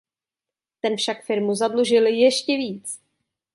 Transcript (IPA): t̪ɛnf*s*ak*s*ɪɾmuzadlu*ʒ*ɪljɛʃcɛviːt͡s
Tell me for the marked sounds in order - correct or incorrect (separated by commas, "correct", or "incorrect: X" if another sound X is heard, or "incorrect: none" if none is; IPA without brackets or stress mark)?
incorrect: ʃ, incorrect: f, correct